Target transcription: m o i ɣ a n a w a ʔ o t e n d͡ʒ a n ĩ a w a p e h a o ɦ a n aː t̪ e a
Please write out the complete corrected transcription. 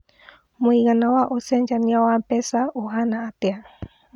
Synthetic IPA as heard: m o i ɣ a n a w a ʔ o s e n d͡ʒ a n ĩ a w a p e s a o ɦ a n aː t̪ e a